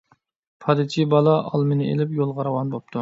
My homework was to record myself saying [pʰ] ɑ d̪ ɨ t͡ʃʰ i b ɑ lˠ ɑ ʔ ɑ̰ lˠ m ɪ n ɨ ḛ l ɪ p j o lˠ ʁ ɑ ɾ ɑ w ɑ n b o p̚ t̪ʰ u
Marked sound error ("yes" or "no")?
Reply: no